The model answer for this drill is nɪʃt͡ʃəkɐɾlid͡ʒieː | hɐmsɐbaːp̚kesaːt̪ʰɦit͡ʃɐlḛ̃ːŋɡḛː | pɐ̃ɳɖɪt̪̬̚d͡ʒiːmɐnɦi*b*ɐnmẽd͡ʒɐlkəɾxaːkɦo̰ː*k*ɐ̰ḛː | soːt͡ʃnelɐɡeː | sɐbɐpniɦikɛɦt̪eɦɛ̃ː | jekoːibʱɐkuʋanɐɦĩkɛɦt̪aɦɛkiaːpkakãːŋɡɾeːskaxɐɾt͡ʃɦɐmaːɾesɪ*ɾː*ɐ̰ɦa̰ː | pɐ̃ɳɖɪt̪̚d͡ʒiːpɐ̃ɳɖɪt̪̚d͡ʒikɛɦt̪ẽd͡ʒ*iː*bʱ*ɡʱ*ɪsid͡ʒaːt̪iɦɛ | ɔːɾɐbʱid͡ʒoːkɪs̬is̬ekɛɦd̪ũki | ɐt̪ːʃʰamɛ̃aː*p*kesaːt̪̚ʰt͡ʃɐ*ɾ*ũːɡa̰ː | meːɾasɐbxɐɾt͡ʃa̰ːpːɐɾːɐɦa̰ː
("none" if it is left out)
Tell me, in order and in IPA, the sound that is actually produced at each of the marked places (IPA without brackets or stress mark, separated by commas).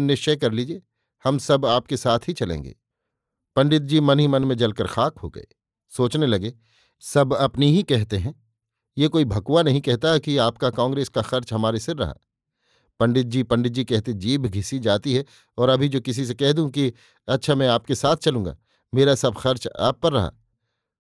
m, ɡ, ɾː, iː, ɡʱ, p, l